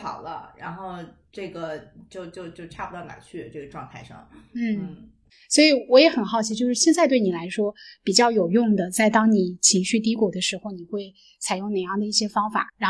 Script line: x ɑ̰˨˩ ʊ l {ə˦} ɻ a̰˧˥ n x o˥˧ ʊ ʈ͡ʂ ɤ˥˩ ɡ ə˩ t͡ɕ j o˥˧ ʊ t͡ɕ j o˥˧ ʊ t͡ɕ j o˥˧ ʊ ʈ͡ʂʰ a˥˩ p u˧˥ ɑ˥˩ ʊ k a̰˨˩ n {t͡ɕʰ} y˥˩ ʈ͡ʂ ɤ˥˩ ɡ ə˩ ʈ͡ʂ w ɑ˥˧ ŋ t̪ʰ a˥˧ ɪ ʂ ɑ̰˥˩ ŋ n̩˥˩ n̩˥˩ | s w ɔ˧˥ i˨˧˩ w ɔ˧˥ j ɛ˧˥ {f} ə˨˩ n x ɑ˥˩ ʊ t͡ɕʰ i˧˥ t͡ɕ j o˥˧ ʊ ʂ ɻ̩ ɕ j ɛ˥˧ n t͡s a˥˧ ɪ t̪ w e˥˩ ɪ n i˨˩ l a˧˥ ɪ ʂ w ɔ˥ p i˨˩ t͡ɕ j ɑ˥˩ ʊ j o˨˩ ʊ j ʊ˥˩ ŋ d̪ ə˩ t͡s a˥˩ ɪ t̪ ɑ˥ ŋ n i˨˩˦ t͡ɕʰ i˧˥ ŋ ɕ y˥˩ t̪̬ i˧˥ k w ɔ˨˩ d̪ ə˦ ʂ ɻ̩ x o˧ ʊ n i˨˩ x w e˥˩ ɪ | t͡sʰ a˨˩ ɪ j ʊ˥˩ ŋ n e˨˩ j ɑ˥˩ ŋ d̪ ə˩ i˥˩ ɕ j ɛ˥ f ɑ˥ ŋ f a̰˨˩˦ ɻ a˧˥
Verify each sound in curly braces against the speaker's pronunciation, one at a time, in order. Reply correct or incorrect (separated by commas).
correct, correct, incorrect